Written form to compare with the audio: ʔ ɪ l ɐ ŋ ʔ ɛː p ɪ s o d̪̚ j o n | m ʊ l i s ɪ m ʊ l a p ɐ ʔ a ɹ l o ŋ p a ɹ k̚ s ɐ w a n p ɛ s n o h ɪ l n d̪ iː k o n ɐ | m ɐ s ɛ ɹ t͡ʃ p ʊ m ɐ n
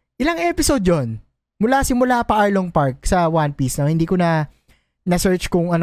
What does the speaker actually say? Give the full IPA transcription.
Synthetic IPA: ʔ ɪ l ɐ ŋ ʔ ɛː p ɪ s o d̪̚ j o n | m ʊ l a s ɪ m ʊ l a p ɐ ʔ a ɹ l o ŋ p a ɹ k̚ s ɐ w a n p i s n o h ɪ n d̪ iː k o n ɐ | n ɐ s ɛ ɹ t͡ʃ k ʊ ŋ ɐ n